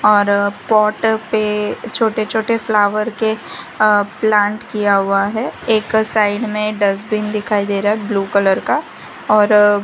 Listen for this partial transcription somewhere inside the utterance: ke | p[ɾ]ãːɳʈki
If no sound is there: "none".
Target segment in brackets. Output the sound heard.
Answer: l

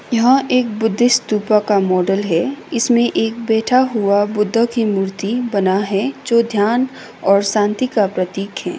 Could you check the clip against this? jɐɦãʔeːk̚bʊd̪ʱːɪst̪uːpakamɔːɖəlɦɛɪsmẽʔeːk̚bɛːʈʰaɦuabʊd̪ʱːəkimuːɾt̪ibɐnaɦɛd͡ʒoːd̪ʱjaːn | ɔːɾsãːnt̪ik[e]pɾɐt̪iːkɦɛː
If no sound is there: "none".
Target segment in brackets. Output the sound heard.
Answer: a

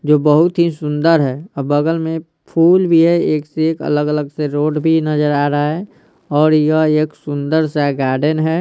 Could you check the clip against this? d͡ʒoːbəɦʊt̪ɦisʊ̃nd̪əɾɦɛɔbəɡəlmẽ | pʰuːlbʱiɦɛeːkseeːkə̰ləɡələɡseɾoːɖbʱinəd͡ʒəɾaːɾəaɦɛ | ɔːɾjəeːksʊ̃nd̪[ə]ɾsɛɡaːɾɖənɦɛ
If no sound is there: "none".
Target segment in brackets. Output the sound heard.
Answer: ə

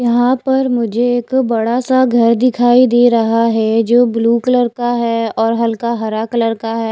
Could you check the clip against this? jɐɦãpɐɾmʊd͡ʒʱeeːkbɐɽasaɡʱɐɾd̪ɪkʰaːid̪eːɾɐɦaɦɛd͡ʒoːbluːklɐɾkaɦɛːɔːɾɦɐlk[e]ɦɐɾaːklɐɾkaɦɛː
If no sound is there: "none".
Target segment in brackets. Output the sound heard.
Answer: a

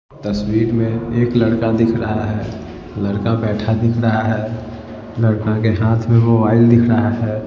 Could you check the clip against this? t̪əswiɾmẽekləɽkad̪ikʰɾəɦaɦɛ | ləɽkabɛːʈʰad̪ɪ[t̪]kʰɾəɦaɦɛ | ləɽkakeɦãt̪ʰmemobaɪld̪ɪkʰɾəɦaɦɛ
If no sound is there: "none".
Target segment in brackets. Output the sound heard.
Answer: none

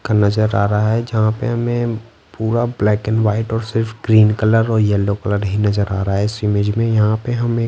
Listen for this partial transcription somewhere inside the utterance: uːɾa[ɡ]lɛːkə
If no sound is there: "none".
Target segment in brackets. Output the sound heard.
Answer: b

